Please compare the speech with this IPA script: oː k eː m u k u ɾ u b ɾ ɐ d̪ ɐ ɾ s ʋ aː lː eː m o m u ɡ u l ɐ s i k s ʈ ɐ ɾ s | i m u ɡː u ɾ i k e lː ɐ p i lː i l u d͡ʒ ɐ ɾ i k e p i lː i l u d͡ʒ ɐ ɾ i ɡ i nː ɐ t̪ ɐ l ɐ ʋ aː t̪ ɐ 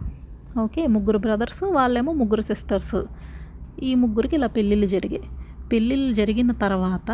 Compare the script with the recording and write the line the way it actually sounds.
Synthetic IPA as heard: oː k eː m u ɡ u ɾ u b ɾ ɐ d̪ ɐ ɾ s ʋ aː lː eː m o m u ɡ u ɾ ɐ s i s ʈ ɐ ɾ s | iː m u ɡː u ɾ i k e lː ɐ p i lː i l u d͡ʒ ɐ ɾ i ɡ e p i lː i l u d͡ʒ ɐ ɾ i ɡ i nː ɐ t̪ ɐ ɾ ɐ ʋ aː t̪ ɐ